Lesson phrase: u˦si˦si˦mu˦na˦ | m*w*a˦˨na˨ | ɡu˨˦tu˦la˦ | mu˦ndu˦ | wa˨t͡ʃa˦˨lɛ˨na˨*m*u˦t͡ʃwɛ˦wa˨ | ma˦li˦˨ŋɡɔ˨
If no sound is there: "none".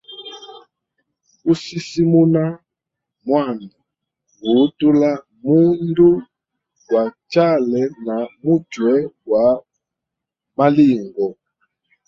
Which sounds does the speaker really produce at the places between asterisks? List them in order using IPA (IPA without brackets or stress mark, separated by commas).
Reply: w, m